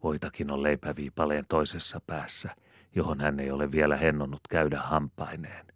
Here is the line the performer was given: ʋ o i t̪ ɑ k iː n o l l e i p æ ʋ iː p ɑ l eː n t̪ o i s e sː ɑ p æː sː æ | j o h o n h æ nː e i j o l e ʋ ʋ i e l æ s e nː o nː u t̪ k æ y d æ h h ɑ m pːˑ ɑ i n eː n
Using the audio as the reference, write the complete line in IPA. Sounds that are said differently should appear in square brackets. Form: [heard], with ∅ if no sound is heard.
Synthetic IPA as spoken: ʋ o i t̪ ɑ k [i] n o l l e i p æ ʋ iː p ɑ l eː n t̪ o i s e sː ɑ p æː sː æ | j o h o n h æ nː e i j o l e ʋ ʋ i e l æ [h] e nː o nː u t̪ k æ y d æ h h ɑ m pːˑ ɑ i n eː n